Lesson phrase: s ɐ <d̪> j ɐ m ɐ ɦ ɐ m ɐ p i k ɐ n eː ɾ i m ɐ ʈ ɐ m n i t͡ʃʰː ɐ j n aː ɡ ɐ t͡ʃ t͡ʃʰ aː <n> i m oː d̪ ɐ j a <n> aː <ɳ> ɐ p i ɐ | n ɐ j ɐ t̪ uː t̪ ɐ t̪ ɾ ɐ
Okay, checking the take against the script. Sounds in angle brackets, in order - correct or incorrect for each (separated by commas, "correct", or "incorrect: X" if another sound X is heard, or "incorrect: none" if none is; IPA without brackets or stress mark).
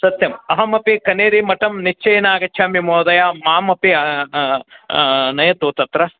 incorrect: t̪, incorrect: m, incorrect: m, incorrect: m